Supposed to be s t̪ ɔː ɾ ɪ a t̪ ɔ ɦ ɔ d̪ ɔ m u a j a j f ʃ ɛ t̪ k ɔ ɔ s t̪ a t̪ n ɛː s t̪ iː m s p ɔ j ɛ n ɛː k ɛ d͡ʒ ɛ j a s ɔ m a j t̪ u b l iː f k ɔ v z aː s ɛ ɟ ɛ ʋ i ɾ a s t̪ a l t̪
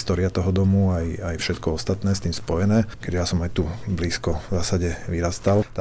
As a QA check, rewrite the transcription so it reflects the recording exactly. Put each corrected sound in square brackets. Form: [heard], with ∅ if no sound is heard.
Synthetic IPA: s t̪ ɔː ɾ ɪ a t̪ ɔ ɦ ɔ d̪ ɔ m u a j a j f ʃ ɛ t̪ k ɔ ɔ s t̪ a t̪ n ɛː s t̪ iː m s p ɔ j ɛ n ɛː k ɛ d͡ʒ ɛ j a s ɔ m a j t̪ u b l iː [s] k ɔ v z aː s [a] ɟ ɛ ʋ i ɾ a s t̪ a l t̪